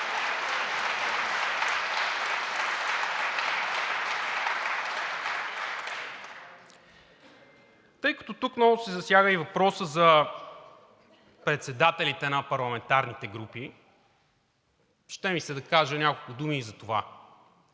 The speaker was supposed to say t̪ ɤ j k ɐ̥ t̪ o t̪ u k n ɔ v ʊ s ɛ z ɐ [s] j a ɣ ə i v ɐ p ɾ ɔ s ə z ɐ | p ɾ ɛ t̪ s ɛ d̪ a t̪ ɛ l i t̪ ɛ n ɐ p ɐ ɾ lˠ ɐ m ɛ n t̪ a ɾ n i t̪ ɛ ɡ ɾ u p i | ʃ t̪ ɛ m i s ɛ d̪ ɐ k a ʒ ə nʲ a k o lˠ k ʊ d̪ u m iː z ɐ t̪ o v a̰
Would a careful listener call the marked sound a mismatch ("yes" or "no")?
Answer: no